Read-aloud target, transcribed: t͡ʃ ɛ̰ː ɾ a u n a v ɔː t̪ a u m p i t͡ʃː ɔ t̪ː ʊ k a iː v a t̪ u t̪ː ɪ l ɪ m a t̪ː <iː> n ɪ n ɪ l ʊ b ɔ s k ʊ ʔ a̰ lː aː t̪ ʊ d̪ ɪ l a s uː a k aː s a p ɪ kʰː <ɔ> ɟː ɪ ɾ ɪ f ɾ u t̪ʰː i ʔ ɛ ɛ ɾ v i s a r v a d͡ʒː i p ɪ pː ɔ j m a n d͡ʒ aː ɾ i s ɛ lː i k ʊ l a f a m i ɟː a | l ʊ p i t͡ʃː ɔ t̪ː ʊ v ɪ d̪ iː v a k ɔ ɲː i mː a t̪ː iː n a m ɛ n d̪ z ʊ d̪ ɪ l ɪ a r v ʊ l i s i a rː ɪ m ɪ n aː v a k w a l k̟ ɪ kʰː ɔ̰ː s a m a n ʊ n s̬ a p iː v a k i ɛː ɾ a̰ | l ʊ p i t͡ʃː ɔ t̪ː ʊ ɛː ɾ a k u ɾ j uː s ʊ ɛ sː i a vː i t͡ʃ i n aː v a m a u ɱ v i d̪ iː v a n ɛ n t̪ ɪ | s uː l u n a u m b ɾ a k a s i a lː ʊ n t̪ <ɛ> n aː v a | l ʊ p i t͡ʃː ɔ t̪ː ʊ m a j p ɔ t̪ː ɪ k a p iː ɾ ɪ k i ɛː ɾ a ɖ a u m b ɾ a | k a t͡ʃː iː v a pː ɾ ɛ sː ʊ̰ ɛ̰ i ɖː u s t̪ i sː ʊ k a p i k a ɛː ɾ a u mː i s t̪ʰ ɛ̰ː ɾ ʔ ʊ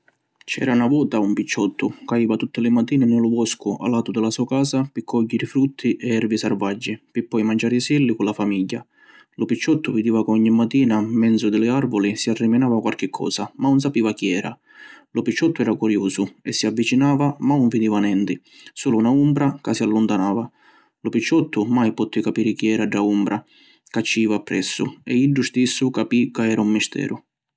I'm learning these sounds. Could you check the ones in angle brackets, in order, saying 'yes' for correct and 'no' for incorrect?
yes, yes, no

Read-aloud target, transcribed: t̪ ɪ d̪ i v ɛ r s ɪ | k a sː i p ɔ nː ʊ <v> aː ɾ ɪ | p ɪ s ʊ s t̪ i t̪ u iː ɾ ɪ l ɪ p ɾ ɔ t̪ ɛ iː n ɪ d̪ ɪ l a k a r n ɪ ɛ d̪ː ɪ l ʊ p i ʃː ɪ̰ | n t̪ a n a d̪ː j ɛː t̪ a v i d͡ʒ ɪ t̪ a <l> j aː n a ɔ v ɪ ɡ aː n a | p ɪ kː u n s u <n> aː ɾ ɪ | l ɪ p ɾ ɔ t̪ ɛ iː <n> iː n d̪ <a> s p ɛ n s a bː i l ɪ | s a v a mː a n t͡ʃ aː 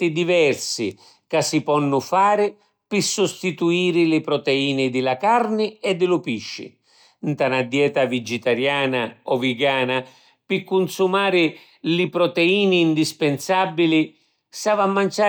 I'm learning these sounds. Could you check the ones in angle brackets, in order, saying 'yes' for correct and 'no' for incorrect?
no, no, no, yes, no

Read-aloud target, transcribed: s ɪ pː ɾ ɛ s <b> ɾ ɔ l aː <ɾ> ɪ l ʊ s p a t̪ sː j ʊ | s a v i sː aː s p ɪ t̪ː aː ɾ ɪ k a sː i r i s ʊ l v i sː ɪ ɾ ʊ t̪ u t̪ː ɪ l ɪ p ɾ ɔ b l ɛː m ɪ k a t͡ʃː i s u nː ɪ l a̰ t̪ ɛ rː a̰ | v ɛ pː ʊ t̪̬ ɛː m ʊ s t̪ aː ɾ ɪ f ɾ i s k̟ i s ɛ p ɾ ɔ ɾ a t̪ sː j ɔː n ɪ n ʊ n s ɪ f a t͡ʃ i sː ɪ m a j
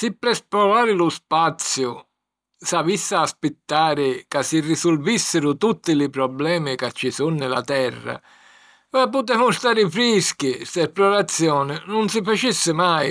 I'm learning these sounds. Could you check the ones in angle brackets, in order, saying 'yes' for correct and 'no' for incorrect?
no, yes

